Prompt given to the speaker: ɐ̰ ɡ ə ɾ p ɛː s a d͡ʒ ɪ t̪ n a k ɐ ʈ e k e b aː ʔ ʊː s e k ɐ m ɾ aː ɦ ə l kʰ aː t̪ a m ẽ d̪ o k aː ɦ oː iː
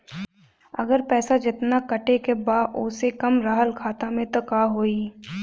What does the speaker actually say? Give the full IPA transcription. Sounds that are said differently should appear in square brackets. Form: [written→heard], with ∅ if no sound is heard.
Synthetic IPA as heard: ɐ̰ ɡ ə ɾ p ɛː s a d͡ʒ ɪ t̪ n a k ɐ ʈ e k e b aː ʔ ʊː s e k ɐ m ɾ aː ɦ ə l kʰ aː t̪ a m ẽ [d̪→t̪] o k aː ɦ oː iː